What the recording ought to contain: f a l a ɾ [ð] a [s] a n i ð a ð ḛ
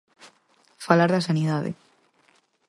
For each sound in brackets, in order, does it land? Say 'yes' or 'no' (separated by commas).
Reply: yes, yes